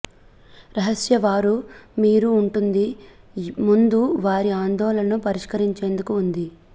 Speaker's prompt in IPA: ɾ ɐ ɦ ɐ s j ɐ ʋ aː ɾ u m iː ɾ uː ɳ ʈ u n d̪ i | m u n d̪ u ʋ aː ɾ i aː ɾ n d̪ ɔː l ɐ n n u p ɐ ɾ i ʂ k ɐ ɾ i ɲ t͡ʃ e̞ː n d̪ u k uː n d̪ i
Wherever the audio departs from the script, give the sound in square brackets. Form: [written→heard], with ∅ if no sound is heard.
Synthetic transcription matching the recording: ɾ ɐ ɦ ɐ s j ɐ ʋ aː ɾ u m iː ɾ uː ɳ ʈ u n d̪ i | m u n d̪ u ʋ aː ɾ i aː [ɾ→∅] n d̪ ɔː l ɐ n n u p ɐ ɾ i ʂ k ɐ ɾ i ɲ t͡ʃ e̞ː n d̪ u k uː n d̪ i